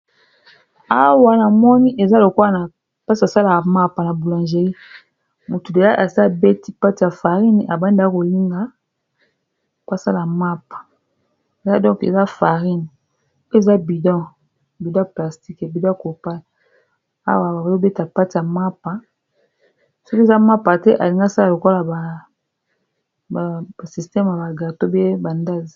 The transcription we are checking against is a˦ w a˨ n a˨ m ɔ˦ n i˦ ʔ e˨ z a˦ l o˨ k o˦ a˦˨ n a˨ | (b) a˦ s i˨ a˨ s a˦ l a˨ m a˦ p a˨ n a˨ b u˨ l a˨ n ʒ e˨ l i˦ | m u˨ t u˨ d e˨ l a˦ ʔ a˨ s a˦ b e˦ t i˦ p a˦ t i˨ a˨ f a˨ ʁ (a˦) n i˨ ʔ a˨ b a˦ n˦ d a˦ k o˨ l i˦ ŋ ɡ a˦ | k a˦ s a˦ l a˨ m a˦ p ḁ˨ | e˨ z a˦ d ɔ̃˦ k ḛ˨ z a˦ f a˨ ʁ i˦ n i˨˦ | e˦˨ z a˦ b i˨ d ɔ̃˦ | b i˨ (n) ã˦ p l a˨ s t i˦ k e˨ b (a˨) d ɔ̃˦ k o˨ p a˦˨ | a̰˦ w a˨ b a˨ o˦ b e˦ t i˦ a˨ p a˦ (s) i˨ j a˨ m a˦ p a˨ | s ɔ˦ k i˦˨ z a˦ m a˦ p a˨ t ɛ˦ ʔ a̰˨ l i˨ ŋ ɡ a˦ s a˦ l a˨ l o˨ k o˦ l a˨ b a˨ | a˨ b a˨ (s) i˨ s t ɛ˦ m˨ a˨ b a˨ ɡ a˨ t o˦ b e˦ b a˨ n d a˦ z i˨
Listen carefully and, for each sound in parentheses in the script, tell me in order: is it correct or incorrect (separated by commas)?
incorrect, incorrect, incorrect, incorrect, incorrect, correct